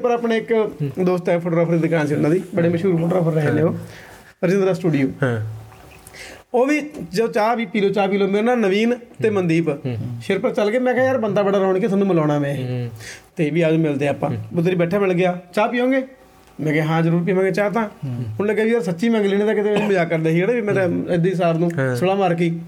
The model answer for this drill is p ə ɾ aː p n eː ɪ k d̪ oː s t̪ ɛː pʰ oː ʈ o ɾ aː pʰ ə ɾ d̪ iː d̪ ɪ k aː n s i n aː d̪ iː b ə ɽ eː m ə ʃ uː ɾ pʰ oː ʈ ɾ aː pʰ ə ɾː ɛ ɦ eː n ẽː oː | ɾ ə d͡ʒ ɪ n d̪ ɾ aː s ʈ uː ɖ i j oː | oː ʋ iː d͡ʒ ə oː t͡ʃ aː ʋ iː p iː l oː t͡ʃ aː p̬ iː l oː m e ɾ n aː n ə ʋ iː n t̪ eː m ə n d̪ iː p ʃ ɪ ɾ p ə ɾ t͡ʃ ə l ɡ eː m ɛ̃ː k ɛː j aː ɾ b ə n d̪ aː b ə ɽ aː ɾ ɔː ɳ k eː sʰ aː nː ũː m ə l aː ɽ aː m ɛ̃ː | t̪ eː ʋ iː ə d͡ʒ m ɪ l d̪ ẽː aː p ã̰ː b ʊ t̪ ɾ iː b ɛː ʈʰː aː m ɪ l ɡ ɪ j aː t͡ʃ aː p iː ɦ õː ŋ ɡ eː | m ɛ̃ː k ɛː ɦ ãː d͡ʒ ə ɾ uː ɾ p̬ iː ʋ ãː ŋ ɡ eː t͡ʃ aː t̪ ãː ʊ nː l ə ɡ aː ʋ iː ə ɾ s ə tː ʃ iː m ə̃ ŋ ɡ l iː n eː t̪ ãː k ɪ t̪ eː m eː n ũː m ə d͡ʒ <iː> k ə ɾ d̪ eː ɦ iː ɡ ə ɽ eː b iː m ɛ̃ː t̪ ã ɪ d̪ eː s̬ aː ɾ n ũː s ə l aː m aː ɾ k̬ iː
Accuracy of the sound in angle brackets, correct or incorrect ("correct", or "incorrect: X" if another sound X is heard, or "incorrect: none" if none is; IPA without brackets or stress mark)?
incorrect: aː